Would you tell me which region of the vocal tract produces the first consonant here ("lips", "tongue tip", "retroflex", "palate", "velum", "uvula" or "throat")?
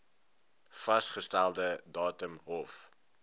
lips